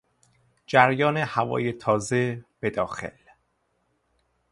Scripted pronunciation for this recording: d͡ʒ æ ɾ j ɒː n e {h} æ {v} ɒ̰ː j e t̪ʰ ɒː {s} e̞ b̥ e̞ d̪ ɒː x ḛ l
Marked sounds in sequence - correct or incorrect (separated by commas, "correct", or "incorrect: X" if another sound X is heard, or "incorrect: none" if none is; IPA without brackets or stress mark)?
correct, correct, incorrect: z